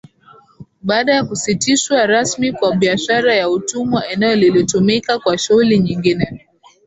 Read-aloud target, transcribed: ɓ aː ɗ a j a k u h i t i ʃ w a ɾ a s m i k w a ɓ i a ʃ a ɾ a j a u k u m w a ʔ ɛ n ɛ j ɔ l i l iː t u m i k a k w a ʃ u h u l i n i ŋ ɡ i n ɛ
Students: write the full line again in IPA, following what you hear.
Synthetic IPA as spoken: ɓ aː ɗ a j a k u s i t i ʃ w a ɾ a s m i k w a ɓ i a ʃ a ɾ a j a u t u m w a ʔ ɛ n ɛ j ɔ l i l i t u m i k a k w a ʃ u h u l i ɲ i ŋ ɡ i n ɛ